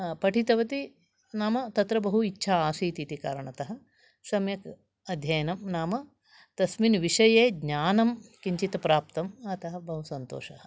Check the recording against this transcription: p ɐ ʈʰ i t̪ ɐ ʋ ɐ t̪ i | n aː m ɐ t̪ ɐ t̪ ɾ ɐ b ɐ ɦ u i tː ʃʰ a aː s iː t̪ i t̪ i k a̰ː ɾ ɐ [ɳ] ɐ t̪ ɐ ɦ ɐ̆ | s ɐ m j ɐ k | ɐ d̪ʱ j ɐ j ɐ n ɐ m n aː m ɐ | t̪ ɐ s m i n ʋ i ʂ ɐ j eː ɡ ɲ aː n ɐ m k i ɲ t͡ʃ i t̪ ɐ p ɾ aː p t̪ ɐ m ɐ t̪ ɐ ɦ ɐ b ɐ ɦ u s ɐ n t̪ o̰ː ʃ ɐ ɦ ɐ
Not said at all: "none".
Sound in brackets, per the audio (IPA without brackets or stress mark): ɳ